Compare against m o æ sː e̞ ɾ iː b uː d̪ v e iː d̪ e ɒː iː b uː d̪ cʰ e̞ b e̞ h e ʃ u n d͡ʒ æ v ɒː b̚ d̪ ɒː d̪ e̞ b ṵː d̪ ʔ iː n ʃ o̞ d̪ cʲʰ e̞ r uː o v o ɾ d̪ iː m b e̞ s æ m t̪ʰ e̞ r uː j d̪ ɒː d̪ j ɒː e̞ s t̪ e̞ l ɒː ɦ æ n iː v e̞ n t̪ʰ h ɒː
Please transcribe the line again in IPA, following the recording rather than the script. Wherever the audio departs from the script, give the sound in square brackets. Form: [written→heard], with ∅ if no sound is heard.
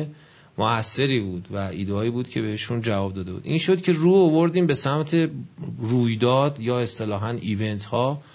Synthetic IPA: m o æ sː e̞ ɾ iː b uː d̪ v [e→æ] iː d̪ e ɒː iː b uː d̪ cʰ e̞ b e̞ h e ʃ u n d͡ʒ æ v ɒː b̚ d̪ ɒː d̪ e̞ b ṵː d̪ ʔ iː n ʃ o̞ d̪ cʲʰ e̞ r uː o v o ɾ d̪ iː m b e̞ s æ m t̪ʰ e̞ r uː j d̪ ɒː d̪ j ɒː e̞ s t̪ e̞ l ɒː ɦ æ n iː v e̞ n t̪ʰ h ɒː